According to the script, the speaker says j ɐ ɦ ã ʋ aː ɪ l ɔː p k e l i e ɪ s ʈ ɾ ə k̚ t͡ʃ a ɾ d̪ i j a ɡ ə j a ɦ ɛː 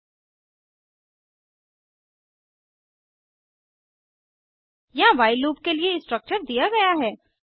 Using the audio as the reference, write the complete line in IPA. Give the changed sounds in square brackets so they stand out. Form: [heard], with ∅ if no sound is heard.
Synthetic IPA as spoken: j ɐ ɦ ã ʋ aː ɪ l [uː] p k e l i e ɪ s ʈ ɾ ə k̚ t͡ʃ [ə] ɾ d̪ i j a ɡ [ɐ] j a ɦ ɛː